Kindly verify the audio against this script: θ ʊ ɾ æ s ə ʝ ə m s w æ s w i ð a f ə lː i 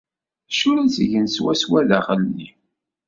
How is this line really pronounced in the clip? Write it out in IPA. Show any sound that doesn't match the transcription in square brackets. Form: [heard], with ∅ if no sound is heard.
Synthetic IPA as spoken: [ʃ] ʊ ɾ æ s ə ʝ ə [n] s w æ s w [æ] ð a [χ] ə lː i